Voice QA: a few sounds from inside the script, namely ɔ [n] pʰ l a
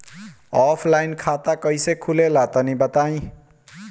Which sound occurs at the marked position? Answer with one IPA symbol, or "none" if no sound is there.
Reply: none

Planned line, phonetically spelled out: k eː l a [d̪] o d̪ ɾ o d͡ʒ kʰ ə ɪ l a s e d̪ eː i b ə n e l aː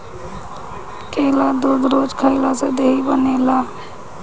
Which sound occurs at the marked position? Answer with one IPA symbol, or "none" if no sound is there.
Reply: d̪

